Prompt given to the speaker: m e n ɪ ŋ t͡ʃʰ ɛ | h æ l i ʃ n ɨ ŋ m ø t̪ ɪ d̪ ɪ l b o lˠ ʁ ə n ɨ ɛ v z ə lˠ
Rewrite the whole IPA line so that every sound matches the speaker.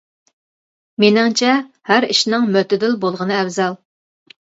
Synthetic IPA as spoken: m e n ɪ ŋ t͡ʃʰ ɛ | h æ ɾ i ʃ n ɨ ŋ m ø t̪ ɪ d̪ ɪ l b o lˠ ʁ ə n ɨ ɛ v z ɑ lˠ